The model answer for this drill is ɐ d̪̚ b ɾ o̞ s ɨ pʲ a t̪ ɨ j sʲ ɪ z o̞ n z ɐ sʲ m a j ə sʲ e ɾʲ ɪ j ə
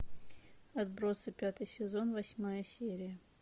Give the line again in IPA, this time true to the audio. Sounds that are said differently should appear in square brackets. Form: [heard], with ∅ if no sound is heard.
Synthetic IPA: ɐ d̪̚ b ɾ o̞ s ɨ pʲ a t̪ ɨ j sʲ ɪ z o̞ n [v] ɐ sʲ m a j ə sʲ e ɾʲ ɪ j ə